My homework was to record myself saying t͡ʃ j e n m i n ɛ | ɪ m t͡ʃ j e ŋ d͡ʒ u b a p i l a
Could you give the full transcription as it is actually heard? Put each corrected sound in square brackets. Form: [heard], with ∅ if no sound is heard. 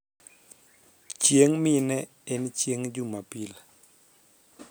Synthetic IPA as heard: t͡ʃ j e [ŋ] m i n ɛ | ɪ [n] t͡ʃ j e ŋ d͡ʒ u [m] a p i l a